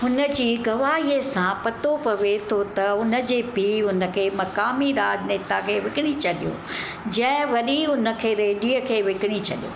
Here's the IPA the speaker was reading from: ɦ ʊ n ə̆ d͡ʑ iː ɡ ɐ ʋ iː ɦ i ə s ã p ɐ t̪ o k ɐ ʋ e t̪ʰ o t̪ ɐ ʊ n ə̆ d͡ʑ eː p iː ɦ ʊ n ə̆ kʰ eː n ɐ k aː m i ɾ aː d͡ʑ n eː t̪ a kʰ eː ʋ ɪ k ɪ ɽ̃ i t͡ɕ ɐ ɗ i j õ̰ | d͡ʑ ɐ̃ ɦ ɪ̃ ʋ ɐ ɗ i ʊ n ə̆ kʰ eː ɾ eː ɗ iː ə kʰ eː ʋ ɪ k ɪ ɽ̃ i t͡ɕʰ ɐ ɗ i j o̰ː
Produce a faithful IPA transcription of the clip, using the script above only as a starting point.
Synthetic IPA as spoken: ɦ ʊ n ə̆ d͡ʑ iː ɡ ɐ ʋ aː ɦ i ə s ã p ɐ t̪ o p ɐ ʋ e t̪ʰ o t̪ ɐ ʊ n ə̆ d͡ʑ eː p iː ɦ ʊ n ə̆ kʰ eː m ɐ k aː m i ɾ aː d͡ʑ n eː t̪ a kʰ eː ʋ ɪ k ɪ ɽ̃ i t͡ɕ ɐ ɗ i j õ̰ | d͡ʑ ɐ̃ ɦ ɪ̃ ʋ ɐ ɗ i ʊ n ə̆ kʰ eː ɾ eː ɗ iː ə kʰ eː ʋ ɪ k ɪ ɽ̃ i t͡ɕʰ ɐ ɗ i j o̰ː